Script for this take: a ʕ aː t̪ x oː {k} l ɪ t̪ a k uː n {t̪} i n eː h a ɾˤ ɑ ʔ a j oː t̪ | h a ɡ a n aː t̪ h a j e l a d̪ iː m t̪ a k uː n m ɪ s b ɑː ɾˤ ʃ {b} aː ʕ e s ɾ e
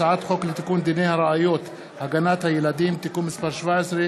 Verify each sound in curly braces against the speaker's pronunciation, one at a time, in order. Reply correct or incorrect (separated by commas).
correct, incorrect, incorrect